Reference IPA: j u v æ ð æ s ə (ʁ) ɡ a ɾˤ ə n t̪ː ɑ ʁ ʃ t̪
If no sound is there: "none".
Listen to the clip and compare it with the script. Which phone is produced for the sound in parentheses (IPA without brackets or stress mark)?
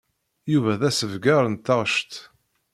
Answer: v